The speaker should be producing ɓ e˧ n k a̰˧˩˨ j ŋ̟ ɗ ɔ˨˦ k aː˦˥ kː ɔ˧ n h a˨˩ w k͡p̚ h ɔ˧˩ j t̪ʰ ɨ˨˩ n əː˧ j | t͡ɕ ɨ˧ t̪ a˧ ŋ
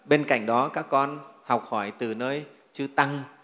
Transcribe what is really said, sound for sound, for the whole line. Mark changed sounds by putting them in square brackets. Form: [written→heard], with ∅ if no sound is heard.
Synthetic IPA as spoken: ɓ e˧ n k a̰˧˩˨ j ŋ̟ ɗ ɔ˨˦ k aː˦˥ kː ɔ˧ n h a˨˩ w k͡p̚ h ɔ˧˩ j [t̪ʰ→t̪] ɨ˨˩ n əː˧ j | t͡ɕ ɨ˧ t̪ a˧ ŋ